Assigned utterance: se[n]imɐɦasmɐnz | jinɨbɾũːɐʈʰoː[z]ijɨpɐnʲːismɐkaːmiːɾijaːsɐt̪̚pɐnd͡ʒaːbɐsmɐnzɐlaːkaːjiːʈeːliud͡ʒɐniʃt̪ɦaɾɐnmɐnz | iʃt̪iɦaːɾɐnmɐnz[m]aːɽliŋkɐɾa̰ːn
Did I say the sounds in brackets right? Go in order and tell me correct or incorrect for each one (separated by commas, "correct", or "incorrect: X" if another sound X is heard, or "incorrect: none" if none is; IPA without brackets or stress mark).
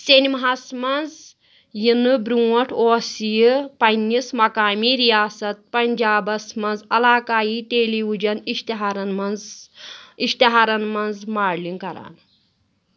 correct, incorrect: s, correct